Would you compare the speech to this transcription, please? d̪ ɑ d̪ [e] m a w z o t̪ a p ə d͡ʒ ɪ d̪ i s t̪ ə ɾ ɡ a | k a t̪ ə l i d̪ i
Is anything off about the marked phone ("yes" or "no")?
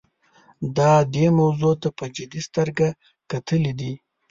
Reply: no